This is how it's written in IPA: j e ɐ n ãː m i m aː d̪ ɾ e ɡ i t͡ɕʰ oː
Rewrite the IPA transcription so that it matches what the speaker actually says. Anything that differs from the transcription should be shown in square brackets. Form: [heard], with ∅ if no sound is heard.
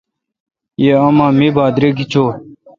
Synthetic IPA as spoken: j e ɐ [m] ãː m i [b] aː d̪ ɾ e ɡ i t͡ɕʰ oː